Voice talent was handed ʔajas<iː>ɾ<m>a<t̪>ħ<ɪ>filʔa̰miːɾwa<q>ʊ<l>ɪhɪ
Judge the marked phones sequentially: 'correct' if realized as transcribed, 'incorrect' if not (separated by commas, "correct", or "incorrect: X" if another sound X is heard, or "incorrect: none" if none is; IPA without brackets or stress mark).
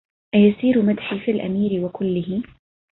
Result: correct, correct, incorrect: d̪, incorrect: i, incorrect: k, incorrect: lː